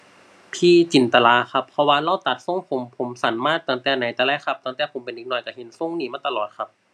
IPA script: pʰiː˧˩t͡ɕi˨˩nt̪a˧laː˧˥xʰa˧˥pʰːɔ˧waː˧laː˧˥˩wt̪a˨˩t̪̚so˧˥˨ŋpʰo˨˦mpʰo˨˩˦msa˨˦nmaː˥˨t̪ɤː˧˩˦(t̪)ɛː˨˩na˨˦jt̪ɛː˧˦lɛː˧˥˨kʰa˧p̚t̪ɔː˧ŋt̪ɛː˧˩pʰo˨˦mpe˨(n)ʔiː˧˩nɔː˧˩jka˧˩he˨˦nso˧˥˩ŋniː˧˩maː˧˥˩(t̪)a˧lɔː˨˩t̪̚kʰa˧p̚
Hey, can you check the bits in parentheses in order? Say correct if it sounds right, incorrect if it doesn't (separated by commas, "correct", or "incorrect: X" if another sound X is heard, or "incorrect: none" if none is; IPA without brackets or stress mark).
correct, correct, correct